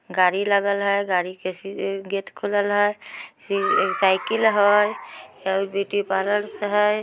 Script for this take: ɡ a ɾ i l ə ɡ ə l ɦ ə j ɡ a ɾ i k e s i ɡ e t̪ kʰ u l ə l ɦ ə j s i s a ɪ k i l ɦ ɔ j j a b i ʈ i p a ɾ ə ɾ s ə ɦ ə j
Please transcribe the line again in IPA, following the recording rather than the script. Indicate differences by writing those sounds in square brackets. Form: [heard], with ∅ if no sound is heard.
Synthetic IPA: ɡ a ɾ i l ə ɡ ə l ɦ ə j ɡ a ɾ i k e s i ɡ e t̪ kʰ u l ə l ɦ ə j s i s a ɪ k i l ɦ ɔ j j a b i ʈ i p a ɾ ə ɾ s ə ɦ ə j